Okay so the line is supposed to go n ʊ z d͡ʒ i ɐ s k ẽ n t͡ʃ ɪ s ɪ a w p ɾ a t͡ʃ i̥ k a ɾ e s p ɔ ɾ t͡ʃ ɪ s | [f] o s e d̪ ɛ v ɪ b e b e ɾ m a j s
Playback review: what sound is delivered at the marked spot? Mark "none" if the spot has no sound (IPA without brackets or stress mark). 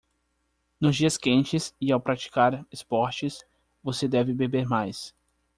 v